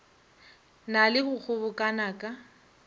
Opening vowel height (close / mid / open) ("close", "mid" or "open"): open